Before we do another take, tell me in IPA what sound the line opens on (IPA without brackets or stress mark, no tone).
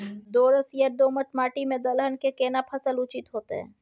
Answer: d̪